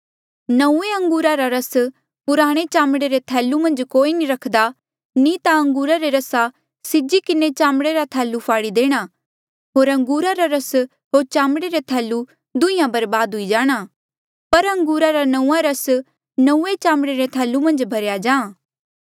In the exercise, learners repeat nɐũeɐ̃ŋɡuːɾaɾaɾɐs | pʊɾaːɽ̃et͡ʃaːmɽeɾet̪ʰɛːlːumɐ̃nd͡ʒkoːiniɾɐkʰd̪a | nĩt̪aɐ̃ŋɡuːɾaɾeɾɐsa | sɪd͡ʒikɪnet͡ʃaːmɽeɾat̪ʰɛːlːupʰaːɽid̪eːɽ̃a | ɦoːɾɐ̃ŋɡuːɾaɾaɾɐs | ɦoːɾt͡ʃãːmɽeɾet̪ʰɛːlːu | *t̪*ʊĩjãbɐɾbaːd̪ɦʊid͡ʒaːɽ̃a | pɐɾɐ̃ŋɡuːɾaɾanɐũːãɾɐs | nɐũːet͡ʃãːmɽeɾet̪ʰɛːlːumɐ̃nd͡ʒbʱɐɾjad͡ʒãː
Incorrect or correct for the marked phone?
incorrect: d̪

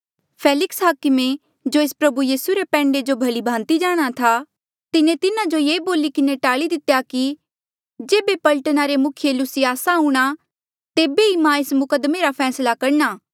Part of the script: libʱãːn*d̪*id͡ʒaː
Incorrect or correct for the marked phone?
incorrect: t̪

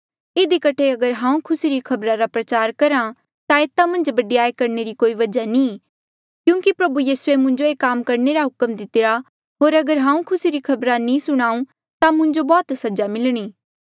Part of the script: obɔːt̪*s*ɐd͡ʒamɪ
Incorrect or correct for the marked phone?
correct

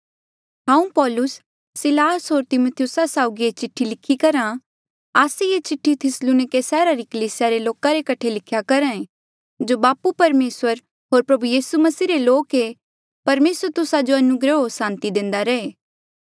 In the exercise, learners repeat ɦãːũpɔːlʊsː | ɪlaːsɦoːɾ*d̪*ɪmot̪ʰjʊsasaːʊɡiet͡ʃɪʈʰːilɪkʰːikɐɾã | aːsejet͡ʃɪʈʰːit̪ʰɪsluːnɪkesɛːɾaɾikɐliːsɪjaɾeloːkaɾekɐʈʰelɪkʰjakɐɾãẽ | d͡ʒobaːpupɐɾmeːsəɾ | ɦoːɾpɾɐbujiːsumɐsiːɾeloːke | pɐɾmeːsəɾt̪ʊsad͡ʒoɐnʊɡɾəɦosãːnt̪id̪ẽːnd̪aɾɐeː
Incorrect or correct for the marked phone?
incorrect: t̪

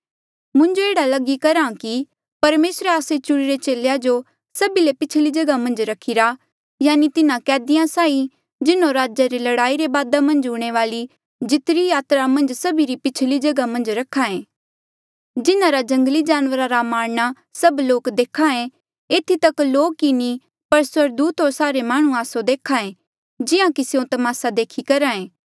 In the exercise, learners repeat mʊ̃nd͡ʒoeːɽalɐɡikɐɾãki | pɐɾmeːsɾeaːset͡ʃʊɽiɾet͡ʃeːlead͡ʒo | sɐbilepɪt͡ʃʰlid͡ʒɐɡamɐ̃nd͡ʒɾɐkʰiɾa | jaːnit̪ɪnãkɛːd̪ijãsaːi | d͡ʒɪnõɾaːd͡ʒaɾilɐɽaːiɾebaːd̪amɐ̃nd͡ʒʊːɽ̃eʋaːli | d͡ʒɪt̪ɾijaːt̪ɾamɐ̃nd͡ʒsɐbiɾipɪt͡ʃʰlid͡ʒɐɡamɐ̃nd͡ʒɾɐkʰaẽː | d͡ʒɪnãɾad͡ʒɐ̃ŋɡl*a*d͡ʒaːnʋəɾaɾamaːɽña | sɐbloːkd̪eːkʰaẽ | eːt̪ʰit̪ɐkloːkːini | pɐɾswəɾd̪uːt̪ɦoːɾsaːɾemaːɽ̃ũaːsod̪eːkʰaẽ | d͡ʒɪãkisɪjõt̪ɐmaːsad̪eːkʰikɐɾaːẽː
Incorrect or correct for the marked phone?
incorrect: i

